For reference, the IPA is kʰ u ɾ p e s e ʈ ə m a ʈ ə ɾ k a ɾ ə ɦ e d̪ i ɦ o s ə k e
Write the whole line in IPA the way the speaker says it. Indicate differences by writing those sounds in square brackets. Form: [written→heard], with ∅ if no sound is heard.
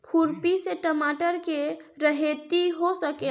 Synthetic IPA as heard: kʰ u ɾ p [e→i] s e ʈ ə m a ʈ ə ɾ k [a→e] ɾ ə ɦ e [d̪→t̪] i ɦ o s ə k e